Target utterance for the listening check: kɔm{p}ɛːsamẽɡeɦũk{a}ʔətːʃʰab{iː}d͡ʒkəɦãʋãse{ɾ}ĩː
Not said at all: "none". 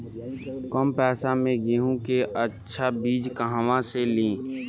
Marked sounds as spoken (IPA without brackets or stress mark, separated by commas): p, e, iː, l